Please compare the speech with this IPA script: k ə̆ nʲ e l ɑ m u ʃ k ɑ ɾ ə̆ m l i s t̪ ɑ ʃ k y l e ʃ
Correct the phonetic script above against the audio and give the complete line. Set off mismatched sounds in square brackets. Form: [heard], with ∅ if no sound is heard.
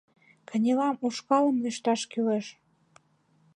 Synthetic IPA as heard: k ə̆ nʲ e l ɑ m u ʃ k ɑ [l] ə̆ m l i [ʃ] t̪ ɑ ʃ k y l e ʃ